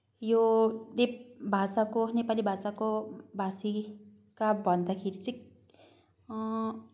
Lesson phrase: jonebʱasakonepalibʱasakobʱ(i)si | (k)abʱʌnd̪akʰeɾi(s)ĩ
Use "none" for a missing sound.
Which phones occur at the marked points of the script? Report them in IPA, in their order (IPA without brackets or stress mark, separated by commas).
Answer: a, k, t͡s